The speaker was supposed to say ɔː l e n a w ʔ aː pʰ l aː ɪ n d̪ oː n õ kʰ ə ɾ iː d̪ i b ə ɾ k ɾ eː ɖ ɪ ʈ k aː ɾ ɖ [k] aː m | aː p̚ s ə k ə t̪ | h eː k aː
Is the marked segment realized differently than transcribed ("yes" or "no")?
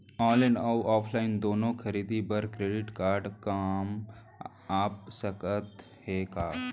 no